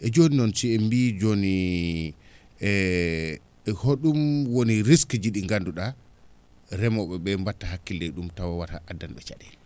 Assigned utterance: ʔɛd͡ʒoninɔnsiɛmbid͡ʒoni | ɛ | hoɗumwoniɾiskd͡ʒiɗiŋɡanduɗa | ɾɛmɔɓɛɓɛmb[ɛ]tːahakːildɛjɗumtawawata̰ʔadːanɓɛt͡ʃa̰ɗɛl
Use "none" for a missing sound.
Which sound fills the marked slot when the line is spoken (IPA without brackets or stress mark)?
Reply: a